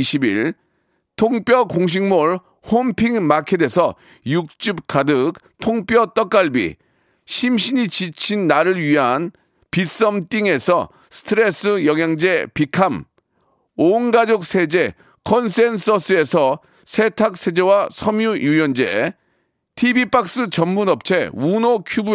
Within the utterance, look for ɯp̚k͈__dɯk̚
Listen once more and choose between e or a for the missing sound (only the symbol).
a